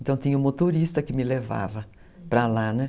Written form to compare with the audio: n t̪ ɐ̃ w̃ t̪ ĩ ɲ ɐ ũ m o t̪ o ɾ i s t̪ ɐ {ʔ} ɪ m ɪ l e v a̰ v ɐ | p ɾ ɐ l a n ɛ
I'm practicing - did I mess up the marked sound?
yes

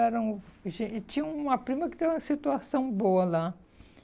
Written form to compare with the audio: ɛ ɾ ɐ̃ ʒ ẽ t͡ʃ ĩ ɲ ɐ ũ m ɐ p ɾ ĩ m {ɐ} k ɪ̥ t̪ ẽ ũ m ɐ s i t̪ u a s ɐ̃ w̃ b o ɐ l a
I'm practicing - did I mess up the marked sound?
no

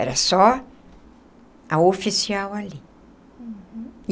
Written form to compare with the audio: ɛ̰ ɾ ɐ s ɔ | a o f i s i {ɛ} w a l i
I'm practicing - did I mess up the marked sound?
yes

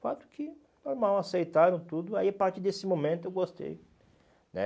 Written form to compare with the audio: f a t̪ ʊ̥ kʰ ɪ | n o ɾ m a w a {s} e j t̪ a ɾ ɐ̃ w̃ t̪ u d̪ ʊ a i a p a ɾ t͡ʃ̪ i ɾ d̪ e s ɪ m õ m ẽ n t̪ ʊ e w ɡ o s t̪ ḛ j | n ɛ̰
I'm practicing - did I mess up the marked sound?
no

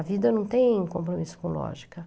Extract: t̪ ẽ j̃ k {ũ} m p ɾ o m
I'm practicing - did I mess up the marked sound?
yes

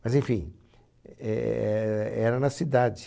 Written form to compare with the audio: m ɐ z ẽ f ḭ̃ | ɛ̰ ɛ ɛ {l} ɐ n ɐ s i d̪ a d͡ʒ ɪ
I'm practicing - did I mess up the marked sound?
yes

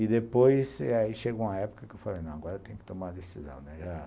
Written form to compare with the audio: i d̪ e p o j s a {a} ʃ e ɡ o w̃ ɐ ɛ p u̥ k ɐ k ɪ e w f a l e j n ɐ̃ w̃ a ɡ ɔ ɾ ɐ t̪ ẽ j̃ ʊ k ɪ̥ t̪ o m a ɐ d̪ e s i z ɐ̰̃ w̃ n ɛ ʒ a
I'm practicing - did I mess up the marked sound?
yes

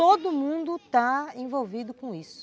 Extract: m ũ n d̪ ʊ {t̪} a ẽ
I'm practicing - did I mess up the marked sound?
no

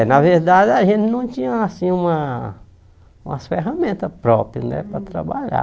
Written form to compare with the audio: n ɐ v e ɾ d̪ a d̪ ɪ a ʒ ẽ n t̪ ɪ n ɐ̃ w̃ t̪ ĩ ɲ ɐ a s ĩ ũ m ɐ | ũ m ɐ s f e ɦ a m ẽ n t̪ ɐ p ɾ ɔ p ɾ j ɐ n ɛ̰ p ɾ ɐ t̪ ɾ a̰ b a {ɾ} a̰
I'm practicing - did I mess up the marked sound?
yes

